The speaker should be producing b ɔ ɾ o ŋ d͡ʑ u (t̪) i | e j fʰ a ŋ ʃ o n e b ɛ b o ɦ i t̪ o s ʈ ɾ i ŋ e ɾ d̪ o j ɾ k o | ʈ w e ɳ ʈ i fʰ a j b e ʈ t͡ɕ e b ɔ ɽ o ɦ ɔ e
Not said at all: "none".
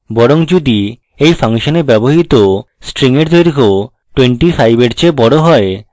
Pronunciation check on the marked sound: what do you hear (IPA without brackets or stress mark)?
d̪